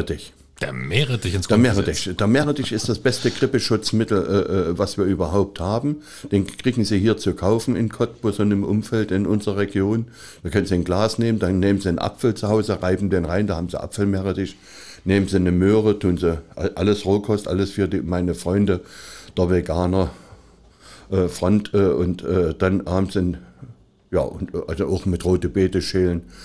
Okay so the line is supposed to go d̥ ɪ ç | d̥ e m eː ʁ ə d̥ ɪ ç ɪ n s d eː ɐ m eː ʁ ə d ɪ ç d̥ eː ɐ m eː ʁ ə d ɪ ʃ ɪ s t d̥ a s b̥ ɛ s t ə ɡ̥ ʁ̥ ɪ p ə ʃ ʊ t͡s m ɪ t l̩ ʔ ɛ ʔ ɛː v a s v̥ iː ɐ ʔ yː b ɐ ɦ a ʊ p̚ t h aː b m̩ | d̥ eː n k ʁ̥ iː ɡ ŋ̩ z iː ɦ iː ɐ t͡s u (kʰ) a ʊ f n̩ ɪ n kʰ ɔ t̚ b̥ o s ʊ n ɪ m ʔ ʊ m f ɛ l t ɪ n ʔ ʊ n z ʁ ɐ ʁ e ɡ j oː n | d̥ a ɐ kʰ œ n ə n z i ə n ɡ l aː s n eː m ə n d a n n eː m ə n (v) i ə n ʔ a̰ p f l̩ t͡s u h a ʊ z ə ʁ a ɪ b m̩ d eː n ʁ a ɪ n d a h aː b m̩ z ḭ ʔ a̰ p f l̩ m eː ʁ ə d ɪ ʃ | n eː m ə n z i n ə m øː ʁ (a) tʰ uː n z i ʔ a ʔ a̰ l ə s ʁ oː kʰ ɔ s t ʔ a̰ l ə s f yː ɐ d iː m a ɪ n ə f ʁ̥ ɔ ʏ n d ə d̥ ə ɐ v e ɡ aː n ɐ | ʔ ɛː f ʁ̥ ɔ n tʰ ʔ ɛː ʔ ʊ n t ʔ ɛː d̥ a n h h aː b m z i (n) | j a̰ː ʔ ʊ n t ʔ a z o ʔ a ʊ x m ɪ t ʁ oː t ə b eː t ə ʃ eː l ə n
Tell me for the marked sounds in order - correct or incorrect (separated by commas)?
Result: correct, incorrect, incorrect, correct